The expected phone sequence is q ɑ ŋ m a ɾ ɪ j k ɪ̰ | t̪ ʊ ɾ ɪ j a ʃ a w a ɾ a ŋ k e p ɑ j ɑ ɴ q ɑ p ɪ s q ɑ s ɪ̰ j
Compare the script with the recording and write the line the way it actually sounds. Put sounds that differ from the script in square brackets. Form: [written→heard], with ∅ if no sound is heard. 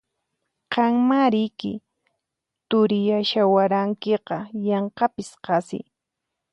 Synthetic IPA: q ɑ ŋ m a ɾ ɪ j k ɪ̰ | t̪ ʊ ɾ ɪ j a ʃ a w a ɾ a ŋ k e [p→q] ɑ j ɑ ɴ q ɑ p ɪ s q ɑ s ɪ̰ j

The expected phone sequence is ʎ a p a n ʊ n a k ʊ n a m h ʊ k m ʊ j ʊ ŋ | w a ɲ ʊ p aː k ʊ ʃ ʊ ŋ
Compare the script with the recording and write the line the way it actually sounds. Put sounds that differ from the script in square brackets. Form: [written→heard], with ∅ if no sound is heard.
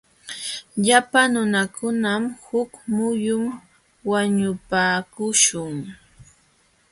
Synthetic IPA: ʎ a p a n ʊ n a k ʊ n a m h ʊ k m ʊ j ʊ [ŋ→m] | w a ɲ ʊ p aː k ʊ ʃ ʊ ŋ

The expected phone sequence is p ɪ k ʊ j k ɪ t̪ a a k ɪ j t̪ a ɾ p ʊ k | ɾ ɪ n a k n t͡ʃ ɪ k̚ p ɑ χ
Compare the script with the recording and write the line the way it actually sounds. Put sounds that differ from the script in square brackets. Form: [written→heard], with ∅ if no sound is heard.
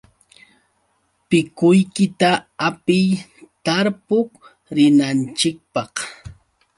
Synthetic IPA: p ɪ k ʊ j k ɪ t̪ a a [k→p] ɪ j t̪ a ɾ p ʊ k | ɾ ɪ n a [k→∅] n t͡ʃ ɪ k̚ p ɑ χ

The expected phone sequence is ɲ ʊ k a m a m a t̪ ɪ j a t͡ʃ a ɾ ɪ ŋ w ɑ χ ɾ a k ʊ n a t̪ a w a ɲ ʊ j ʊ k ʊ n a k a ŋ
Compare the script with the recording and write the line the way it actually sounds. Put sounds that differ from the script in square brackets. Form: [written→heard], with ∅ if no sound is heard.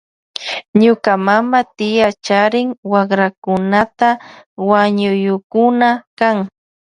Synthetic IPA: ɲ ʊ k a m a m a t̪ ɪ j a t͡ʃ a ɾ ɪ ŋ w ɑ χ ɾ a k ʊ n a t̪ a w a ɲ ʊ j ʊ k ʊ n a k a ŋ

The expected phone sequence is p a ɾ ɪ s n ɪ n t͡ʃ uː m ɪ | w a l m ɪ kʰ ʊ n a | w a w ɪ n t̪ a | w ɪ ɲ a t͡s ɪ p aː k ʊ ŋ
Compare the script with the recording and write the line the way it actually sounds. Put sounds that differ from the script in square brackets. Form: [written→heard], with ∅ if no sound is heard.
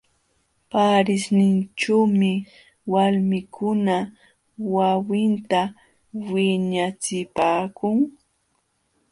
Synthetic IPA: p a ɾ ɪ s n ɪ n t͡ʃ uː m ɪ | w a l m ɪ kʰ ʊ n a | w a w ɪ n t̪ a | w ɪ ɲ a t͡s ɪ p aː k ʊ ŋ

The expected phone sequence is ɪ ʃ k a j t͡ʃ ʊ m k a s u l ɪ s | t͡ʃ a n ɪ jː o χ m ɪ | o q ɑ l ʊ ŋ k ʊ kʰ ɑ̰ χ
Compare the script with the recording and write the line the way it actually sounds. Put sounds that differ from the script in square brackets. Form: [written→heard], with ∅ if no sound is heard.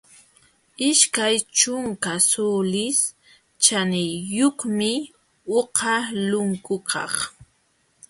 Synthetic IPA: ɪ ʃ k a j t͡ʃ ʊ [m→ŋ] k a s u l ɪ s | t͡ʃ a n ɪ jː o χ m ɪ | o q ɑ l ʊ ŋ k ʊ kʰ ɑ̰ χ

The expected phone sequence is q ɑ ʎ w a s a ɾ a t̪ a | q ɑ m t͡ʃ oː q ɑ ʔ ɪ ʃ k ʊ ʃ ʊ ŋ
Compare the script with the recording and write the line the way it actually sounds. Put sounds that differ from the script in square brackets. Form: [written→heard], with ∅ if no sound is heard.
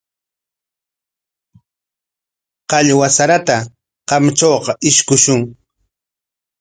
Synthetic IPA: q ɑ ʎ w a s a ɾ a t̪ a | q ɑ m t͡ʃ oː q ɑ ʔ ɪ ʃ k ʊ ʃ ʊ ŋ

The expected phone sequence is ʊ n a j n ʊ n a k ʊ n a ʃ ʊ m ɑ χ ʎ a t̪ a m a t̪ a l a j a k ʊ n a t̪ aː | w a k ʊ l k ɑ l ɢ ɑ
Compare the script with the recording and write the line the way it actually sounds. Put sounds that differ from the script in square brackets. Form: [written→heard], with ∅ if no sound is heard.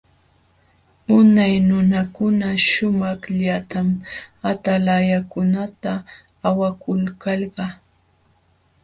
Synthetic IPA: ʊ n a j n ʊ n a k ʊ n a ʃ ʊ m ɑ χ ʎ a t̪ a m a t̪ a l a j a k ʊ n a t̪ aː | w a k ʊ l k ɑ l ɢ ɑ

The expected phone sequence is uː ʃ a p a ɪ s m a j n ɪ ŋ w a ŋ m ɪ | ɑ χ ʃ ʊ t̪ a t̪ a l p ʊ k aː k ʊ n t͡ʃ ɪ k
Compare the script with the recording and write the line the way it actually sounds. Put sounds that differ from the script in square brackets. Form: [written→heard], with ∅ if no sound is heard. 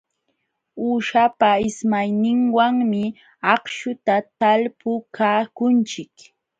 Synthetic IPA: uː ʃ a p a ɪ s m a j n ɪ ŋ w a ŋ m ɪ | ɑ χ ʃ ʊ t̪ a t̪ a l p ʊ k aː k ʊ n t͡ʃ ɪ k

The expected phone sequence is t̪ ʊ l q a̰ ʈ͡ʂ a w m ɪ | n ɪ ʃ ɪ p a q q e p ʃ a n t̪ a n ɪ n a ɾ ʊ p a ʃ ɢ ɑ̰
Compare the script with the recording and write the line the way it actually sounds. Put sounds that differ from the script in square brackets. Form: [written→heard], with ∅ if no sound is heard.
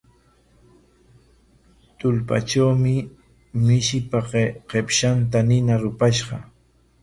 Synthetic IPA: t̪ ʊ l [q→p] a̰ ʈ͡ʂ a w m ɪ | [n→m] ɪ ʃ ɪ p a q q e p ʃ a n t̪ a n ɪ n a ɾ ʊ p a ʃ ɢ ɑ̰

